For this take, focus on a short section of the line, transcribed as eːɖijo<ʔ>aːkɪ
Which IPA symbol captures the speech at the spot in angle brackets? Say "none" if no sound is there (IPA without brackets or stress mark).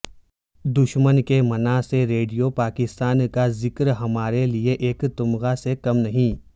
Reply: p